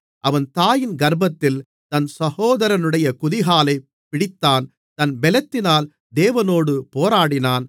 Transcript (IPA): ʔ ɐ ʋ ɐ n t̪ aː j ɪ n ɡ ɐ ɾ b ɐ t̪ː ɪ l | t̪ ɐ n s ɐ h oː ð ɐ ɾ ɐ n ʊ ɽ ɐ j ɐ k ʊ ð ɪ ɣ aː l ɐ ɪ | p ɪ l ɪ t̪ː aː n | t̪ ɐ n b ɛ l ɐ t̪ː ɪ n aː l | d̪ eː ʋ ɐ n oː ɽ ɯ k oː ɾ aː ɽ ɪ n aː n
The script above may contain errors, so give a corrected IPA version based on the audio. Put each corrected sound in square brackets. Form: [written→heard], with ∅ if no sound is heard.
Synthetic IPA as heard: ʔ ɐ ʋ ɐ n t̪ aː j ɪ n ɡ ɐ ɾ b ɐ t̪ː ɪ l | t̪ ɐ n s ɐ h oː ð ɐ ɾ ɐ n [ʊ→ɯ] ɽ ɐ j ɐ k ʊ ð ɪ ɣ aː l ɐ ɪ | p ɪ [l→ɽ] ɪ t̪ː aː n | t̪ ɐ n b ɛ l ɐ t̪ː ɪ n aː l | d̪ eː ʋ ɐ n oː ɽ ɯ [k→p] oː ɾ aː ɽ ɪ n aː n